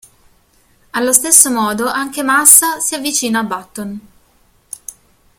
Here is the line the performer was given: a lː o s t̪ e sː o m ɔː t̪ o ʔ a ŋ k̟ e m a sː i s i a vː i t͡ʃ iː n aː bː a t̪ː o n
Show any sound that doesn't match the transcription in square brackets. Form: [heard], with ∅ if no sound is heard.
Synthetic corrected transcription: a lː o s t̪ e sː o m ɔː [d̪] o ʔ a ŋ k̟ e m a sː [a] s i a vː i t͡ʃ iː n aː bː a t̪ː o n